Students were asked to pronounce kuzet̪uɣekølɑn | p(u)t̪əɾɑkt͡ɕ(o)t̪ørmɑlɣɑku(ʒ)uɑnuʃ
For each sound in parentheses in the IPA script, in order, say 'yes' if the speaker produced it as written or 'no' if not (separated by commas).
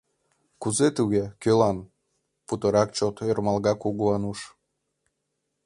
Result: yes, yes, no